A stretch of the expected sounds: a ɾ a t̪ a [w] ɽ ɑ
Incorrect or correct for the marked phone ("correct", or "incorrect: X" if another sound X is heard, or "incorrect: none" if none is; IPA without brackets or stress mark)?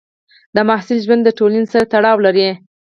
incorrect: none